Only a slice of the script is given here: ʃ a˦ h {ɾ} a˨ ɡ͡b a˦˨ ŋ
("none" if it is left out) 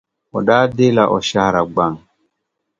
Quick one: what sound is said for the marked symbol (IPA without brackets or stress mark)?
ɾ